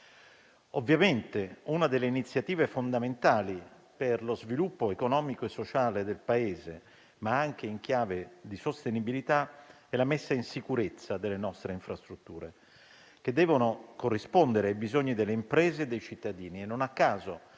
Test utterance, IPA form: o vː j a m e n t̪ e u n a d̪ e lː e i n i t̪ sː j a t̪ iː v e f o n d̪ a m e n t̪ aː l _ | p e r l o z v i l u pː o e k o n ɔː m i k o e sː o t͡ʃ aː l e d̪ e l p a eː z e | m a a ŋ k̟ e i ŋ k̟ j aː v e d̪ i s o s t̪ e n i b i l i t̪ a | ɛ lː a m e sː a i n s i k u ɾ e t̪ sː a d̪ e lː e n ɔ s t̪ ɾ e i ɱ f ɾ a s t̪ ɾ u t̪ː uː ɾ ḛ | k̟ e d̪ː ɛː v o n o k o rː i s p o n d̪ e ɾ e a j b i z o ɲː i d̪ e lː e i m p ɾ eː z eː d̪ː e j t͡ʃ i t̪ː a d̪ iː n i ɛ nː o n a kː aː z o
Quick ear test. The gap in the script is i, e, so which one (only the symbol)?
i